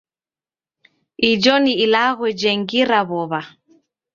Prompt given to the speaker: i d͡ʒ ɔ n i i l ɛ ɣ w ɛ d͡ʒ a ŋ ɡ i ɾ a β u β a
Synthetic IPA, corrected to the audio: i d͡ʒ ɔ n i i l a ɣ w ɛ d͡ʒ ɛ ŋ ɡ i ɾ a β ɔ β a